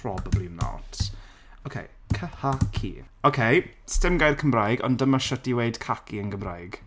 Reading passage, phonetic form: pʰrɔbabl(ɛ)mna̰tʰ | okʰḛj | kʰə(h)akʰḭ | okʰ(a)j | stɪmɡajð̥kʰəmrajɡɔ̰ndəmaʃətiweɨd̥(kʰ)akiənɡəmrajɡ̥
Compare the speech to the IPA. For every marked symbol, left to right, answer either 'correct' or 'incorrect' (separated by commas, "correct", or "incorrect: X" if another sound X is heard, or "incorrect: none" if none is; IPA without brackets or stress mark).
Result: incorrect: i, correct, incorrect: e, correct